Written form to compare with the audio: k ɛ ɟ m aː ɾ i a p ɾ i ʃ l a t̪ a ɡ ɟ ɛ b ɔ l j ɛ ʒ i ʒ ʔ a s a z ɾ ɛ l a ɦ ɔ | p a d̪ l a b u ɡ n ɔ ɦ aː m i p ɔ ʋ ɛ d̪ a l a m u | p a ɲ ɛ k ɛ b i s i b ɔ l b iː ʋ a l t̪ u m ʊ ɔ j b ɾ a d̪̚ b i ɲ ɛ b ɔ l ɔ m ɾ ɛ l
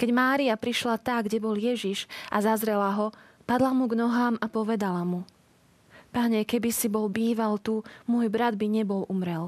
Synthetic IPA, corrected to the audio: k ɛ ɟ m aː ɾ i a p ɾ i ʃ l a t̪ a ɡ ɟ ɛ b ɔ l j ɛ ʒ i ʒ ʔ a z a z ɾ ɛ l a ɦ ɔ | p a d̪ l a m u ɡ n ɔ ɦ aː m a p ɔ ʋ ɛ d̪ a l a m u | p a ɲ ɛ k ɛ b i s i b ɔ l b iː ʋ a l t̪ u m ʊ ɔ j b ɾ a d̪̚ b i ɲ ɛ b ɔ l u m ɾ ɛ l